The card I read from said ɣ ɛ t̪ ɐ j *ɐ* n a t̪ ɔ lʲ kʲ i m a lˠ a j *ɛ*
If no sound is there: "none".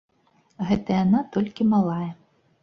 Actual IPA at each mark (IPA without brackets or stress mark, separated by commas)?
a, ɛ